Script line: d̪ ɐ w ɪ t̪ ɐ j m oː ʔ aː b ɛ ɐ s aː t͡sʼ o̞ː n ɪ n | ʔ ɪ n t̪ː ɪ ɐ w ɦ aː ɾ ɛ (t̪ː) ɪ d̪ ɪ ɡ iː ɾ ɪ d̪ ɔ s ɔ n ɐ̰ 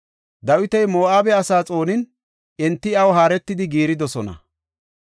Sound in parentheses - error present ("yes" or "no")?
no